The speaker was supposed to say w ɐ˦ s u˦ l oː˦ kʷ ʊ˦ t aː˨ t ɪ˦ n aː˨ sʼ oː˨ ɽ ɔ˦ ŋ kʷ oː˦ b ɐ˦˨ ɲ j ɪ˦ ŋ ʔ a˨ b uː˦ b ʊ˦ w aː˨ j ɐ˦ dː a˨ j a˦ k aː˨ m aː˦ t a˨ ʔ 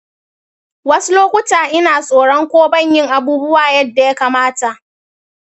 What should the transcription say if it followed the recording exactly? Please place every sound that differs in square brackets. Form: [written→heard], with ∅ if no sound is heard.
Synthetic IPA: w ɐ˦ s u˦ l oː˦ kʷ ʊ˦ t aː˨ [t→ʔ] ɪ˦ n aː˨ sʼ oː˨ ɽ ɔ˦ ŋ kʷ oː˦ b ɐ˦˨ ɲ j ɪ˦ ŋ ʔ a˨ b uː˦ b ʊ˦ w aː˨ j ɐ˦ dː a˨ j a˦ k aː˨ m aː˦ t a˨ ʔ